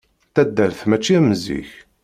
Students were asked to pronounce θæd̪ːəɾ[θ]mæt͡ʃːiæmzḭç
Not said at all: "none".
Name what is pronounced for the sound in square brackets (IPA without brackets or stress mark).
θ